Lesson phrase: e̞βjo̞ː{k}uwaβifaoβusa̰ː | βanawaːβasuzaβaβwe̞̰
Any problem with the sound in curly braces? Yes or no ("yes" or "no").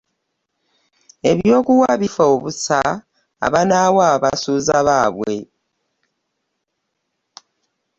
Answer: no